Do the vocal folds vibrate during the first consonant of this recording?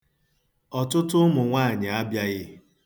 no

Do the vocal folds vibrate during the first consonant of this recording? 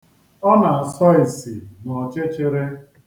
yes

